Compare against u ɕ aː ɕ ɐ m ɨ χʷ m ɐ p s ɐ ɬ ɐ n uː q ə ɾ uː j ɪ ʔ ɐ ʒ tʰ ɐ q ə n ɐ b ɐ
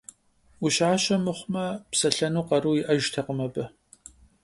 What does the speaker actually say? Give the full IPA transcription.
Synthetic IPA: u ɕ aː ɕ ɐ m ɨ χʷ m ɐ p s ɐ ɬ ɐ n uː q ɐ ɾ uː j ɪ ʔ ɐ ʒ tʰ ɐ q ə m ɐ b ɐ